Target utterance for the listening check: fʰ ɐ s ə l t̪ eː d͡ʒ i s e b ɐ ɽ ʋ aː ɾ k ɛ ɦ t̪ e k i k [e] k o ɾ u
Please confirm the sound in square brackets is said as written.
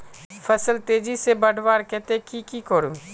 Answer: no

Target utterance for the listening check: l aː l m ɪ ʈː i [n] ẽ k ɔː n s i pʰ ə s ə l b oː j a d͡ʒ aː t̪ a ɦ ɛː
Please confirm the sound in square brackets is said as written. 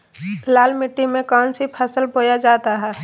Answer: no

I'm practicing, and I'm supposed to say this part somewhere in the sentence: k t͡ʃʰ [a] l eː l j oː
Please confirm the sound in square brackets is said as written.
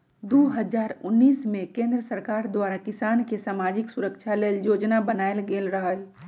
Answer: yes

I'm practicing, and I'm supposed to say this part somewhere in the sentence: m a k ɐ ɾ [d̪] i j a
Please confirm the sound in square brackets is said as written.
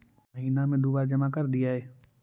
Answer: yes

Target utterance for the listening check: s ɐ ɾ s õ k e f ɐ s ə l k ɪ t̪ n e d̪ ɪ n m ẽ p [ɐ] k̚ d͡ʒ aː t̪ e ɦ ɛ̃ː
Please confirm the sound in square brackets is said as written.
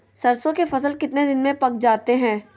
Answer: yes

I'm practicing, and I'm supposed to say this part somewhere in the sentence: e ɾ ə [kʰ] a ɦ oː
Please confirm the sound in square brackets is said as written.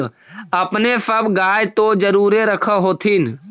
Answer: yes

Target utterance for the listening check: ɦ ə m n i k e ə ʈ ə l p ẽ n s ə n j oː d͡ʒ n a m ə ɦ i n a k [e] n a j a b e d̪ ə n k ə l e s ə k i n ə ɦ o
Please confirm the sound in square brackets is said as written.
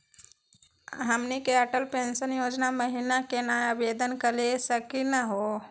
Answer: yes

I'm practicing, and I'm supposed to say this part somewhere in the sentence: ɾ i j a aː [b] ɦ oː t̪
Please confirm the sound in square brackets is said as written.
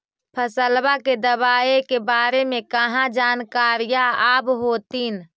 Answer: yes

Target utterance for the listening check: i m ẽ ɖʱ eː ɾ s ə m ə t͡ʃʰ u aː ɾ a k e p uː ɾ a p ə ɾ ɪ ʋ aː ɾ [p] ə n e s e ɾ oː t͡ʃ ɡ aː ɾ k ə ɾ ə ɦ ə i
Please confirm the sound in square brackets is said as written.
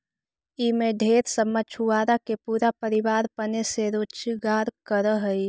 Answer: yes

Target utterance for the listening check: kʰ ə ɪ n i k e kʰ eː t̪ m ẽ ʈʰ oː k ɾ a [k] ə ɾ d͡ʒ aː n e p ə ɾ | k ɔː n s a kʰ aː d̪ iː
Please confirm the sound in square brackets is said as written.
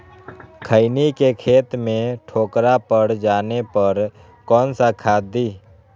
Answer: no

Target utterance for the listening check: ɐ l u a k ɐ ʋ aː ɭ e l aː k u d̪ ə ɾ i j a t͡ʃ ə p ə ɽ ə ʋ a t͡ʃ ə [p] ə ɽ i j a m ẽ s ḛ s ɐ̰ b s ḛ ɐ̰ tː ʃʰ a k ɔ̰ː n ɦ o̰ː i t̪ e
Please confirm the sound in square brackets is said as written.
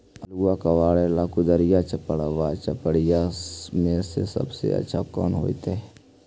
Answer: yes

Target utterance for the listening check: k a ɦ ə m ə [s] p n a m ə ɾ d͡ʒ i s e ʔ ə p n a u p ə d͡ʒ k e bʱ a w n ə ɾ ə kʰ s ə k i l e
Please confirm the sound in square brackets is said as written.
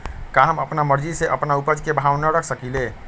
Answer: no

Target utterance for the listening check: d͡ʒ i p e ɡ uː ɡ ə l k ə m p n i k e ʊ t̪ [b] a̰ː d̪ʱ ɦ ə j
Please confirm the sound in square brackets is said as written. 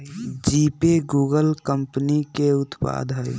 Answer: no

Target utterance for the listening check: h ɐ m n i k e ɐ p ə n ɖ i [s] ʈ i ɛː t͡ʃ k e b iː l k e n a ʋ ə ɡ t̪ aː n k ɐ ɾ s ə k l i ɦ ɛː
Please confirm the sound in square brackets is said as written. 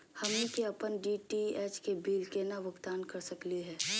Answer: no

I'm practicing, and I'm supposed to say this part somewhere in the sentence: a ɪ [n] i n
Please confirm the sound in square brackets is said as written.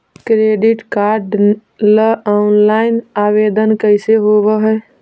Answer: no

